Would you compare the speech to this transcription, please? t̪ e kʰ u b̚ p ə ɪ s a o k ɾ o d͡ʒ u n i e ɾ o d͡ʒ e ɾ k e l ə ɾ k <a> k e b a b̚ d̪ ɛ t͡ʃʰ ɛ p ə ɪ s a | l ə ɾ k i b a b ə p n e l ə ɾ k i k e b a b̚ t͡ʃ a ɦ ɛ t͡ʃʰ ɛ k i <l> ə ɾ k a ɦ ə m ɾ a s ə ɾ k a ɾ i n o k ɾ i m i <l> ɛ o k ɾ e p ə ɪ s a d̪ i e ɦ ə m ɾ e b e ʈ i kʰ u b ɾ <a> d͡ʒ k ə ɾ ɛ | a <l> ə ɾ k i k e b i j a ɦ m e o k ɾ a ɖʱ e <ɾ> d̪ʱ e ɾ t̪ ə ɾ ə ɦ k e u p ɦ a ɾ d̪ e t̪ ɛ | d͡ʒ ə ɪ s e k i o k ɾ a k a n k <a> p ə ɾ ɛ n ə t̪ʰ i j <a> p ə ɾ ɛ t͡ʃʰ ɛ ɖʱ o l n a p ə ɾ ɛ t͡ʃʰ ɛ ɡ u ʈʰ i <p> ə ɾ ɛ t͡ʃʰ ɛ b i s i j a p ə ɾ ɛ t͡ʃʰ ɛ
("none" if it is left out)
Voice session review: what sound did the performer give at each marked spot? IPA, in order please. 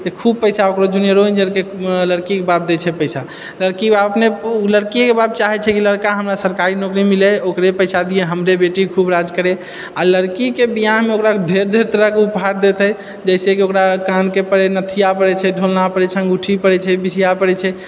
i, l, l, a, l, ɾ, e, a, p

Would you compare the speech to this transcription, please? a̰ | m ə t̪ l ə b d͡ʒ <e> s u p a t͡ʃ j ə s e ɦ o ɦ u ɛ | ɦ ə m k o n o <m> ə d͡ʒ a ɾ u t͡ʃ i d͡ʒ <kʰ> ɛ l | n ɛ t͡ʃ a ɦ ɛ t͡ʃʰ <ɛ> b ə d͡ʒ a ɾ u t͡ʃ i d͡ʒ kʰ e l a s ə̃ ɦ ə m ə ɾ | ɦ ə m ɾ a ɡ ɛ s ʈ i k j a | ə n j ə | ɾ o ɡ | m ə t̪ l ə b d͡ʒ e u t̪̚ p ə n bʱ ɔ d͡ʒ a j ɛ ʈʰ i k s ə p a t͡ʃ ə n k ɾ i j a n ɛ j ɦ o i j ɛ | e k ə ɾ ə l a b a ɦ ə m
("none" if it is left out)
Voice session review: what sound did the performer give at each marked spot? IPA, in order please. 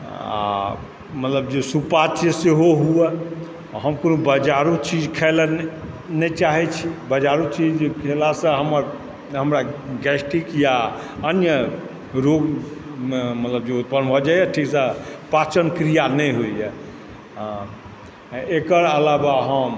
e, b, kʰ, i

